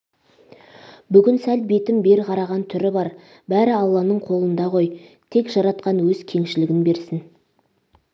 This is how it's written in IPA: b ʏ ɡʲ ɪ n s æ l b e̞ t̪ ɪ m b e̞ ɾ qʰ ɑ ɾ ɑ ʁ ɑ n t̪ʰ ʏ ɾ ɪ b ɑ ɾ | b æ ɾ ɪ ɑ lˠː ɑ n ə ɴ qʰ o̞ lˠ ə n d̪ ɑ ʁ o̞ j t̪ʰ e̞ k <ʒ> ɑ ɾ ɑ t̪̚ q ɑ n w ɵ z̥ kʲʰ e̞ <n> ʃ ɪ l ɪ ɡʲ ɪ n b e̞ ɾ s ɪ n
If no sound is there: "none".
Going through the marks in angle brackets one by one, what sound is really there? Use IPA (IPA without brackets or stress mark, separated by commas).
ʒ, ŋ